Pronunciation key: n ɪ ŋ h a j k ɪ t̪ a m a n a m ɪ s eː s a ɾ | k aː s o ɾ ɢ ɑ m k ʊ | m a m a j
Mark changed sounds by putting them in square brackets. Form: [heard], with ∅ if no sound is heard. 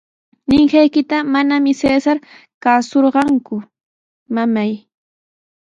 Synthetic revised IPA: n ɪ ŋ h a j k ɪ t̪ a m a n a m ɪ s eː s a ɾ | k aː s o ɾ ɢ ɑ [ŋ] k ʊ | m a m a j

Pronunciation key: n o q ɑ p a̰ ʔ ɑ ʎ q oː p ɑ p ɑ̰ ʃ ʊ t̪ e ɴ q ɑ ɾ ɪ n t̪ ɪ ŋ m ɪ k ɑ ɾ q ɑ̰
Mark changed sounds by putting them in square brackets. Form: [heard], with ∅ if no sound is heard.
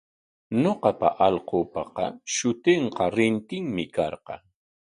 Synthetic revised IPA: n o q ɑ p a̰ ʔ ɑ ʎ q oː p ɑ [q] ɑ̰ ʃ ʊ t̪ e ɴ q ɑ ɾ ɪ n t̪ ɪ ŋ m ɪ k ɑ ɾ q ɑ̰

